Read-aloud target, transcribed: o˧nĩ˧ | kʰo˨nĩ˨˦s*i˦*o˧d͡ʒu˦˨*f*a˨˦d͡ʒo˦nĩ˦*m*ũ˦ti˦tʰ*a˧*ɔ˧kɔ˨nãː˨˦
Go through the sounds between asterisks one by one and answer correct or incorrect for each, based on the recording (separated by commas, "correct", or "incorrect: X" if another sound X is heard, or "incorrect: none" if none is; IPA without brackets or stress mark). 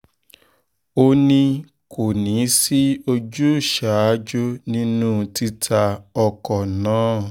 correct, incorrect: ʃ, incorrect: n, correct